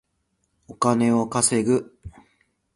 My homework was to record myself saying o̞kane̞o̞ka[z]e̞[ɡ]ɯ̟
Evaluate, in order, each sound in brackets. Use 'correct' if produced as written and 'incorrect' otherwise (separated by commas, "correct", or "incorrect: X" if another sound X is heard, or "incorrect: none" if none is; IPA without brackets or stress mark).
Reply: incorrect: s, correct